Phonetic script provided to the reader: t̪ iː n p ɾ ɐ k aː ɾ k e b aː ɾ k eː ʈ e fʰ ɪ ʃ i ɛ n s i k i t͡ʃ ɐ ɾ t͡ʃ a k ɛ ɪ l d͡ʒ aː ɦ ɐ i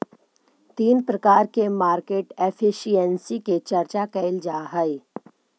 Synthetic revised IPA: t̪ iː n p ɾ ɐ k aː ɾ k e m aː ɾ k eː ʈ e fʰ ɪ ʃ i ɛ n s i k e t͡ʃ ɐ ɾ t͡ʃ a k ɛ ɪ l d͡ʒ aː ɦ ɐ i